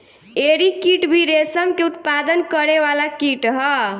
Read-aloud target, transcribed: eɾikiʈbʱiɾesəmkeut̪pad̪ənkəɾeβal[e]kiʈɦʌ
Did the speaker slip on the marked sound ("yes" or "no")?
yes